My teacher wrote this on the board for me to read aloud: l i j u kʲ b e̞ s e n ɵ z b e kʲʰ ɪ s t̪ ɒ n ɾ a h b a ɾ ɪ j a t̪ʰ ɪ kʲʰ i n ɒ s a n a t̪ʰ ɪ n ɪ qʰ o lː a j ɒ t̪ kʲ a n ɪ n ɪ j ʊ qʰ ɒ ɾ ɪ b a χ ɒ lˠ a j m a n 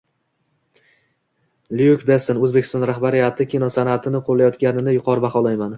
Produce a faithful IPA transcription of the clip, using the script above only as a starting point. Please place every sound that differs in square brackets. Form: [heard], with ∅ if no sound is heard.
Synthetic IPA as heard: l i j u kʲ b e̞ s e n ɵ z b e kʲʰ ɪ s t̪ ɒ n ɾ a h b a ɾ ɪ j a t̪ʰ ɪ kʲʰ i n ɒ s a n a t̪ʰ ɪ n ɪ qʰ o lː a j ɒ t̪ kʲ a n ɪ n ɪ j ʊ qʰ ɒ ɾ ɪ b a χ ɒ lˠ a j m a n